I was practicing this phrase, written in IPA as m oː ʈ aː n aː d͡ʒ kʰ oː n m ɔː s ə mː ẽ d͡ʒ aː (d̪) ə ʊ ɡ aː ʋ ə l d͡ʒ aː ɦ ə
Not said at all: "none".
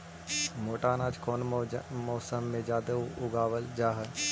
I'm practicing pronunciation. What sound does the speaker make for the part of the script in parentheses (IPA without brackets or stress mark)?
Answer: d̪